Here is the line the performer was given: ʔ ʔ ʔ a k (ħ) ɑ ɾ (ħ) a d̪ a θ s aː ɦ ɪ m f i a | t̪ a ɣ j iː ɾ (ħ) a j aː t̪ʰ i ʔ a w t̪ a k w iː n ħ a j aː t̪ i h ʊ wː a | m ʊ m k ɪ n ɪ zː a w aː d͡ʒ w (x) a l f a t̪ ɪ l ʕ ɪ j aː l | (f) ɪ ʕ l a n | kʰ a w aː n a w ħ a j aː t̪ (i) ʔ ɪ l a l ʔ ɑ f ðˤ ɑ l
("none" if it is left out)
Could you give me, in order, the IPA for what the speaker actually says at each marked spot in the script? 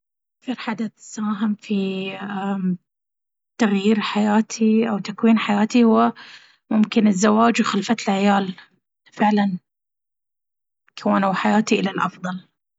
θ, ħ, ħ, x, f, i

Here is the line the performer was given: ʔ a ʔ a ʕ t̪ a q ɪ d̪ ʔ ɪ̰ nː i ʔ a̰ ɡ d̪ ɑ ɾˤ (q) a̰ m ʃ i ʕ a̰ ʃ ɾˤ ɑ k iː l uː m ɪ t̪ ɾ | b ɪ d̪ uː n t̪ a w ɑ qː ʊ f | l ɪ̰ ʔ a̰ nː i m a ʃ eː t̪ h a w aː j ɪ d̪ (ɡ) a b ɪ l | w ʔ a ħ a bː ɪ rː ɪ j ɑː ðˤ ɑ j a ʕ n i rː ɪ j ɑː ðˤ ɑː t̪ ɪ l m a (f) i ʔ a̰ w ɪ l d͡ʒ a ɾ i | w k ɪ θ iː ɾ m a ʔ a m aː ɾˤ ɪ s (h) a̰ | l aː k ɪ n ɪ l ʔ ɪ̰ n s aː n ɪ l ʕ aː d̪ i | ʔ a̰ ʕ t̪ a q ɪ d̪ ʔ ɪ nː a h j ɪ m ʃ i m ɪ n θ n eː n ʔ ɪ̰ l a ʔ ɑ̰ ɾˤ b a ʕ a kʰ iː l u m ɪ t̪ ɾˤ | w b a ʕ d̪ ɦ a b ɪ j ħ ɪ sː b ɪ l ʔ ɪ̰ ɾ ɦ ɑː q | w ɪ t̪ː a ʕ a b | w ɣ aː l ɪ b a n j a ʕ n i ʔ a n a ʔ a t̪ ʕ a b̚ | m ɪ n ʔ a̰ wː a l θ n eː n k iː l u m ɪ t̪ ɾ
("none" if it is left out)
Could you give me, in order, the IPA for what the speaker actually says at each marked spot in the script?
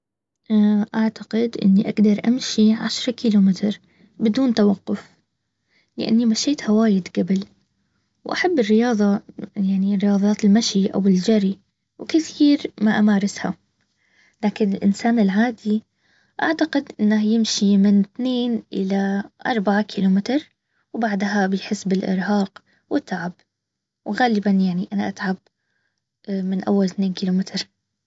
ʔ, ɡ, ʃ, h

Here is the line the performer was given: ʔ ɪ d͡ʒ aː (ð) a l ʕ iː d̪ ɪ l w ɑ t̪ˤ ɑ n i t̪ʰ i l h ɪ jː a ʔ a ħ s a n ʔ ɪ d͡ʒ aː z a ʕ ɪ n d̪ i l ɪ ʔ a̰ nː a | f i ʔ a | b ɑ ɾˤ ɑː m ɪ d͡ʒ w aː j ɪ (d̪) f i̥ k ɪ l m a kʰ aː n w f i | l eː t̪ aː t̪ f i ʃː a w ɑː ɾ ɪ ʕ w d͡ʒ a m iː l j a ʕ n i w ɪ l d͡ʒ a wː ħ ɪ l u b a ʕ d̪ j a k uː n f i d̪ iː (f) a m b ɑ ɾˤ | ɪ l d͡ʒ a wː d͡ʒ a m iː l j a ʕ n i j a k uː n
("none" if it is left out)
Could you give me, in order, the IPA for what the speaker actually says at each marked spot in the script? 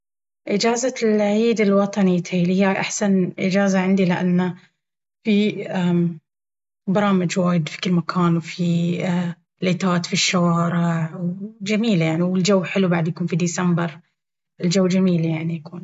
z, d̪, s

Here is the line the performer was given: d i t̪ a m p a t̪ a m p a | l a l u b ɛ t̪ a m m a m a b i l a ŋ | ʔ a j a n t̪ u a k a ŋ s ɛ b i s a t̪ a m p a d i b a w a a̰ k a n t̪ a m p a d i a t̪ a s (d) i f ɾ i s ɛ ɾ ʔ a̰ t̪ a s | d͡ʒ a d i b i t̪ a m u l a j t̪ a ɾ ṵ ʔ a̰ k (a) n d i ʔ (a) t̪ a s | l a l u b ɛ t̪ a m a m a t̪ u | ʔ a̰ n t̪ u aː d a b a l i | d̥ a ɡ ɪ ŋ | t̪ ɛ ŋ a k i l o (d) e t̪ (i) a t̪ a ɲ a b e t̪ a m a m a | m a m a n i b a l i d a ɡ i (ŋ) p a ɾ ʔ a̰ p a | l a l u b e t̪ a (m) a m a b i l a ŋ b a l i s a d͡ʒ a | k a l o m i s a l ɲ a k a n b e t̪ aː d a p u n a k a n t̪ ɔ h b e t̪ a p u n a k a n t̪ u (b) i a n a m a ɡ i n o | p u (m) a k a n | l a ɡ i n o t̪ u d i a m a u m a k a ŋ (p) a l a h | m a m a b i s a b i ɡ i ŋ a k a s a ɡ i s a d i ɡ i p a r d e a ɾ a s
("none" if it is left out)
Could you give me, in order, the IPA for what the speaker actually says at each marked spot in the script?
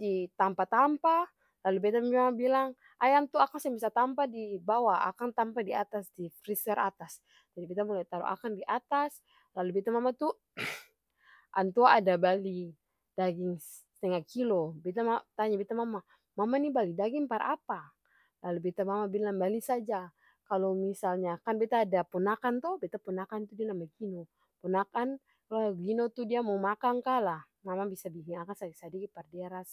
d, a, a, b, a, ŋ, m, d, n, k

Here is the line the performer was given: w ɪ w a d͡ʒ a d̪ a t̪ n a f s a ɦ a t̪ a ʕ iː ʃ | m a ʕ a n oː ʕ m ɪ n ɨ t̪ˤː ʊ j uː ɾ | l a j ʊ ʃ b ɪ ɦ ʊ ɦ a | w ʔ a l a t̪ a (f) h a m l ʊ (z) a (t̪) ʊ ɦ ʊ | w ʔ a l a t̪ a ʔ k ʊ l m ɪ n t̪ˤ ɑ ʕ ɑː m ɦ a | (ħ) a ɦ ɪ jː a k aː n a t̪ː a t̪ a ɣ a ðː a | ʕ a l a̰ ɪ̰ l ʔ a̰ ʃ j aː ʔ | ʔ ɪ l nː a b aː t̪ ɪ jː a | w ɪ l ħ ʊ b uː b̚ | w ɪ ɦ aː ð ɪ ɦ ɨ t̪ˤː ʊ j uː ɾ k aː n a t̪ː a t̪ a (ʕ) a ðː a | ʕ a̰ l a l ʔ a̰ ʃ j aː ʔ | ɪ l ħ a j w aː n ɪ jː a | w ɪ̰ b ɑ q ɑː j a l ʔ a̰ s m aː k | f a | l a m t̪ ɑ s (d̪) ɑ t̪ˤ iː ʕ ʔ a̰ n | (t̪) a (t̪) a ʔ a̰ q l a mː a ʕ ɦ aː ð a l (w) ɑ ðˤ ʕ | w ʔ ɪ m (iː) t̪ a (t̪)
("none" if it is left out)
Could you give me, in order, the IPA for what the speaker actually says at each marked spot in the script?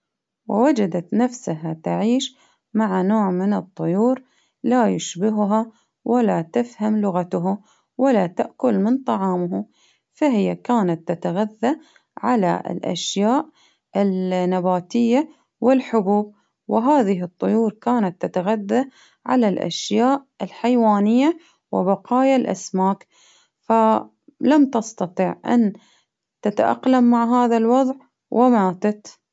f, ɣ, t̪, f, ɣ, t̪, t̪, t̪, w, aː, t̪

